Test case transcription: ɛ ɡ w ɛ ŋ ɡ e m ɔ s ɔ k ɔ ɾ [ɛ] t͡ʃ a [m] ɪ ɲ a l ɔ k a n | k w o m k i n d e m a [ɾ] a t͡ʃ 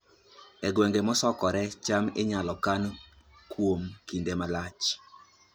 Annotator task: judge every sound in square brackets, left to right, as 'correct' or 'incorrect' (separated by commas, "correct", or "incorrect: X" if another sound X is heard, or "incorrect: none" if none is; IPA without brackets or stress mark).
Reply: correct, correct, incorrect: l